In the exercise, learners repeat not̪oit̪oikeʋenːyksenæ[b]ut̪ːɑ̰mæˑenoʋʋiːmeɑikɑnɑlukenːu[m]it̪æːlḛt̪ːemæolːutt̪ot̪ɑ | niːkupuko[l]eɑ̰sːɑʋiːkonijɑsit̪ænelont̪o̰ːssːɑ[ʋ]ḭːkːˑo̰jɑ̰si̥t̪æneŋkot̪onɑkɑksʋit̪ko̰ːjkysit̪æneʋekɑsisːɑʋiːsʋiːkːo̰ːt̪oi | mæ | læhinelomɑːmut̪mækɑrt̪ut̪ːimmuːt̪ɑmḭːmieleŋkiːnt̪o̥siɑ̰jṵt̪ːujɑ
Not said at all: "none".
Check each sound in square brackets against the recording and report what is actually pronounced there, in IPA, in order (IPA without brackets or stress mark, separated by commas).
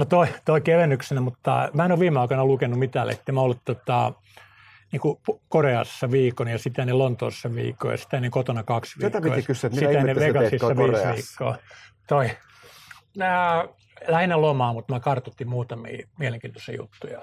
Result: m, m, r, ʋ